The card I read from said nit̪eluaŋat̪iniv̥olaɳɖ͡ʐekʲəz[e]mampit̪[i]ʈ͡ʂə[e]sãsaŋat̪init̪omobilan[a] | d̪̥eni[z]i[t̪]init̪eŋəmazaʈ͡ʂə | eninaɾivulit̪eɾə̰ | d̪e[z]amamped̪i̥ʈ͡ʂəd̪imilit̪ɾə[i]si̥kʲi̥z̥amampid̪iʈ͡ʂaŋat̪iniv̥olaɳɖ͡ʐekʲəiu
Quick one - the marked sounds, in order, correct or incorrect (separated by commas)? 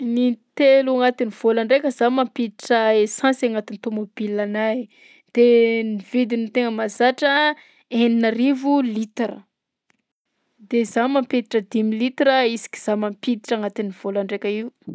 incorrect, correct, correct, correct, incorrect, incorrect, correct, correct